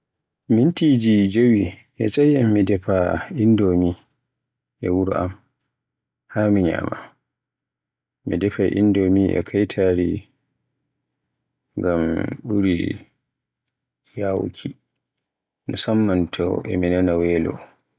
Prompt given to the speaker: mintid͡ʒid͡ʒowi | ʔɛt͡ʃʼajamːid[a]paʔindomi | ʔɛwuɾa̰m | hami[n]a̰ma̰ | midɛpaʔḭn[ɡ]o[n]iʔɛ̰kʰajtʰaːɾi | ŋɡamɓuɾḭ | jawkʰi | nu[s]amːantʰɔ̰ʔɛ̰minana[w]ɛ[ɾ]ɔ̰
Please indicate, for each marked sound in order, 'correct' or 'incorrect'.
incorrect, incorrect, incorrect, incorrect, correct, correct, incorrect

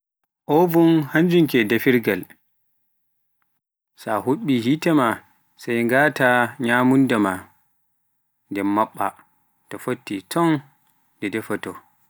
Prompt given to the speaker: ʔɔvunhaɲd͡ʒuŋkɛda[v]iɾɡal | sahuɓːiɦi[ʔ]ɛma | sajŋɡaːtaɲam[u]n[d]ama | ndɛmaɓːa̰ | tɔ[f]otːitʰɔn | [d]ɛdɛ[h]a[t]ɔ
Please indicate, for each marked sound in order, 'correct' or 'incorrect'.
incorrect, incorrect, correct, correct, correct, correct, incorrect, correct

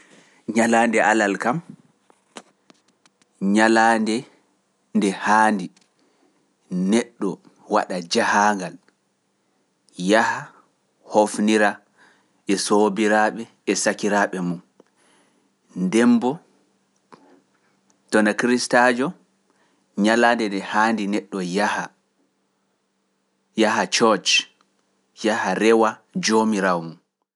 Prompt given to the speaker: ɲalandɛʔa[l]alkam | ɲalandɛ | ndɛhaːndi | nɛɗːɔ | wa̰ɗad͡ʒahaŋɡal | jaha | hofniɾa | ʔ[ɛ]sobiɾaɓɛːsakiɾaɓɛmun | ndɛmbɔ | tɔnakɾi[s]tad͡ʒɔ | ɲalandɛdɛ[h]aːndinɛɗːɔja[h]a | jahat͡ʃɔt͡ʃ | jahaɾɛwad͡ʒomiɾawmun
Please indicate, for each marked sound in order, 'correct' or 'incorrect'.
correct, correct, correct, correct, correct

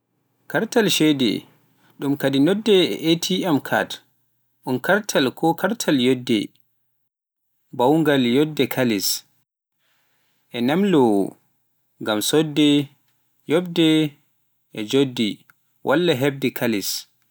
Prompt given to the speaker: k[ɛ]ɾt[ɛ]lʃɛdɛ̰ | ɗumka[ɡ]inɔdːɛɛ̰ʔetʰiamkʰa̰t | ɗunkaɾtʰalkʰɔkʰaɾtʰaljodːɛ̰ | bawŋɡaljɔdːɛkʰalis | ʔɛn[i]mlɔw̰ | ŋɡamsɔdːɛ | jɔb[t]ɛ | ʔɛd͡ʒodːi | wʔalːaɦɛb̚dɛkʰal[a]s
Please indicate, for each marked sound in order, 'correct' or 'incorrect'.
incorrect, incorrect, incorrect, incorrect, incorrect, incorrect

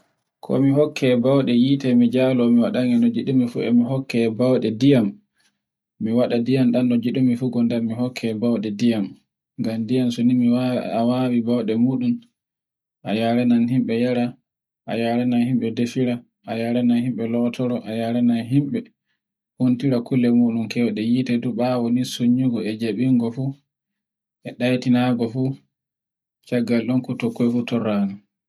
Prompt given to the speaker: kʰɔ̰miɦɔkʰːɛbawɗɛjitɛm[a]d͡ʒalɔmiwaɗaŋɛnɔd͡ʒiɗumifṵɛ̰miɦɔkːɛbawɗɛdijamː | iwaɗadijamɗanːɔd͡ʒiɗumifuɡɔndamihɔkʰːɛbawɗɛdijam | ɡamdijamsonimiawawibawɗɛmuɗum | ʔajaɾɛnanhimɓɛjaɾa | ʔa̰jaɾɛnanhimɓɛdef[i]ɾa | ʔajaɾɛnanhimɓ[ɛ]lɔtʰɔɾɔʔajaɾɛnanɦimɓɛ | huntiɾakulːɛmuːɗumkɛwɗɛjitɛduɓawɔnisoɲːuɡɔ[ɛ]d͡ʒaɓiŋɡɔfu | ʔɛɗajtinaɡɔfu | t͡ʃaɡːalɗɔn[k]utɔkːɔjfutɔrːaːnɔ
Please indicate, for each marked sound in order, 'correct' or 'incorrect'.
incorrect, correct, correct, correct, correct

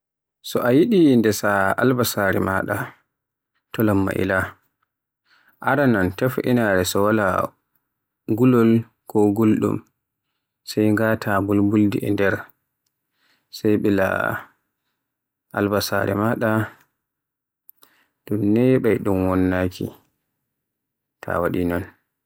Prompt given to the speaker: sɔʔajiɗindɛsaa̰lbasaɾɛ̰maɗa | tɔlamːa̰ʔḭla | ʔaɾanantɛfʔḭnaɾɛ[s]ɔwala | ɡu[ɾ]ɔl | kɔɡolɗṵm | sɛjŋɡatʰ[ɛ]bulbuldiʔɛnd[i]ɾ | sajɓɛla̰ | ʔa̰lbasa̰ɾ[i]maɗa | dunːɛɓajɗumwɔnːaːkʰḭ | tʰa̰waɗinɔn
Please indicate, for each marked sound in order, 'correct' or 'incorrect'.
correct, incorrect, incorrect, incorrect, incorrect

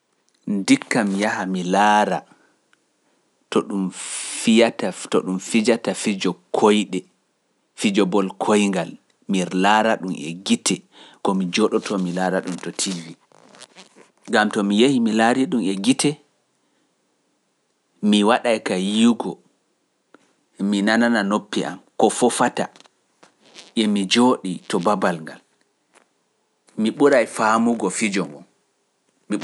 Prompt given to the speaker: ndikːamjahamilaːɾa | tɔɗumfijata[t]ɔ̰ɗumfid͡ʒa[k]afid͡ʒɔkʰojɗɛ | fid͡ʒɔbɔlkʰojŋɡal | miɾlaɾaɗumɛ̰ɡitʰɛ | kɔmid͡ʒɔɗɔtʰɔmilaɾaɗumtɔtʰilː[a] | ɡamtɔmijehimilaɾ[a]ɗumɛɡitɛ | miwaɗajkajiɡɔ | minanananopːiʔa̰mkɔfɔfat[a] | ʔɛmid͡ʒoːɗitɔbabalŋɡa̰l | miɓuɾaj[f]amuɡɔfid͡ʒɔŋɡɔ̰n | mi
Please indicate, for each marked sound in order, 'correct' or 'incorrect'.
correct, incorrect, incorrect, incorrect, correct, correct

